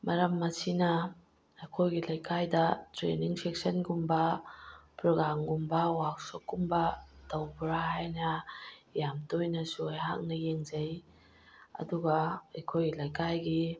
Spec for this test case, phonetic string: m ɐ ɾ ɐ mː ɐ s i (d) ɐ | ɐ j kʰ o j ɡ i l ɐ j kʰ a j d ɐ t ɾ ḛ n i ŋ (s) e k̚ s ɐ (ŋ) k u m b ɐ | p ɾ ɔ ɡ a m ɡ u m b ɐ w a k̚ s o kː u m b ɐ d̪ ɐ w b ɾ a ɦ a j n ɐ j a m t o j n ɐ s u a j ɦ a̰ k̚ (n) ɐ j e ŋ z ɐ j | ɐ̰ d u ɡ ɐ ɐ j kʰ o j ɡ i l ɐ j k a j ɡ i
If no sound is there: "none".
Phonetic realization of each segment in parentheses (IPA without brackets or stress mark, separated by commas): n, s, n, n